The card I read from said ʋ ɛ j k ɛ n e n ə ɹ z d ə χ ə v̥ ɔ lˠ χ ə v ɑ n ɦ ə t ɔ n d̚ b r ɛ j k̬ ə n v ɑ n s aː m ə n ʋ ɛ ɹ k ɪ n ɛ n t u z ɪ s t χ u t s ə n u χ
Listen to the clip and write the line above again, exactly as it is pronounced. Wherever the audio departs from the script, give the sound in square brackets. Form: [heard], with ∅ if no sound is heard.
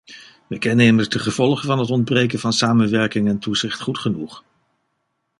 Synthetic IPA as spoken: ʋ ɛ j k ɛ n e [m] ə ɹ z d ə χ ə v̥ ɔ lˠ χ ə v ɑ n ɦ ə t ɔ n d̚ b r [e] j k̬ ə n v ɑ n s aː m ə n ʋ ɛ ɹ k ɪ [ŋ] ɛ n t u z ɪ [χ] t χ u t [χ] ə n u χ